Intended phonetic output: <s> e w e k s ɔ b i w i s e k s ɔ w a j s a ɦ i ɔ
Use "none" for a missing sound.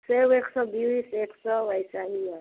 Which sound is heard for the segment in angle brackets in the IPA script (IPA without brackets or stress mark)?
s